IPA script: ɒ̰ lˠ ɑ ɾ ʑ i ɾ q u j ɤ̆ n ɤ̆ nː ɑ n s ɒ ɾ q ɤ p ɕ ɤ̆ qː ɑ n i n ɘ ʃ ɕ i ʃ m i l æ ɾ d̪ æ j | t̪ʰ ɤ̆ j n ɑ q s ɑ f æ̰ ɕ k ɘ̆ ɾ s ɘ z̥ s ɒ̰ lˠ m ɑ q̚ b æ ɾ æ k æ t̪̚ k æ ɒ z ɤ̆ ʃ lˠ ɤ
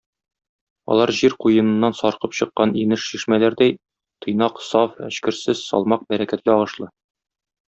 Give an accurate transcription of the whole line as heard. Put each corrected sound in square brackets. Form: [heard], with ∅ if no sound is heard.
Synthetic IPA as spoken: ɒ̰ lˠ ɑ ɾ ʑ i ɾ q u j ɤ̆ n ɤ̆ nː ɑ n s ɒ ɾ q ɤ p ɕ ɤ̆ qː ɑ n i n ɘ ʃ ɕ i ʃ m [æ] l æ ɾ d̪ æ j | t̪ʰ ɤ̆ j n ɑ q s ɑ f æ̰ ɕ k ɘ̆ ɾ s ɘ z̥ s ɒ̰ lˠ m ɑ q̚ b æ ɾ æ k æ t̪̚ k æ ɒ [ʁ] ɤ̆ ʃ lˠ ɤ